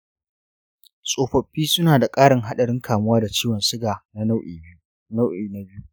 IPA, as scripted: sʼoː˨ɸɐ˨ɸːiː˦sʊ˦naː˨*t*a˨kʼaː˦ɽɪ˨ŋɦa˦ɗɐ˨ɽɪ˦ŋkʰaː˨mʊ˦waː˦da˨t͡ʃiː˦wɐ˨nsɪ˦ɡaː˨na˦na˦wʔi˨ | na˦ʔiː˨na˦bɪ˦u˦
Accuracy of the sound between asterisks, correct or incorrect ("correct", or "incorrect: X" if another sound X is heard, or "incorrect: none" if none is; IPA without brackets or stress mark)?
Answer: incorrect: d